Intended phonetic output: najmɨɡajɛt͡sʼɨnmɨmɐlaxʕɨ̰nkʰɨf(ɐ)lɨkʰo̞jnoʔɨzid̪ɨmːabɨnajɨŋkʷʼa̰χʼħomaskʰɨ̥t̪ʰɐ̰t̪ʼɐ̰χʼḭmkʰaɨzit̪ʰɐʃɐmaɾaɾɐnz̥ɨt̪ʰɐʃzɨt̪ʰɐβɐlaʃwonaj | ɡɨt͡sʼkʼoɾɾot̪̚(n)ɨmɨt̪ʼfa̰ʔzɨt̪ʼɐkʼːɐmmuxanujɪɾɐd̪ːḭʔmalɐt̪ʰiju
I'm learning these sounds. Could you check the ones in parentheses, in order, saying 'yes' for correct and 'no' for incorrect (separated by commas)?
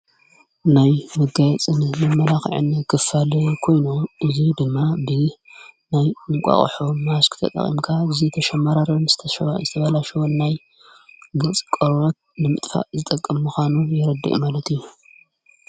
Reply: no, yes